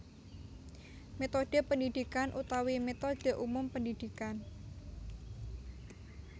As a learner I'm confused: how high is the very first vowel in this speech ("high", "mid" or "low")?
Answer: mid